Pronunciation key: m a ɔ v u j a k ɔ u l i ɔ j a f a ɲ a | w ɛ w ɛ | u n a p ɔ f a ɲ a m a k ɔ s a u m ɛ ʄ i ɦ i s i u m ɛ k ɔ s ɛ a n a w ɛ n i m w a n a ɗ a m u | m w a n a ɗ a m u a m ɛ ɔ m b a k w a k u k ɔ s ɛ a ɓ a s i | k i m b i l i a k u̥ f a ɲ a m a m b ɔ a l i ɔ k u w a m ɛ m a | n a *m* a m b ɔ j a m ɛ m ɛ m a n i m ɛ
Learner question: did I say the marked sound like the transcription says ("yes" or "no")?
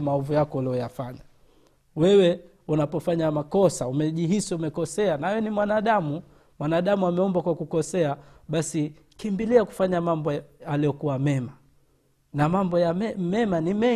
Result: yes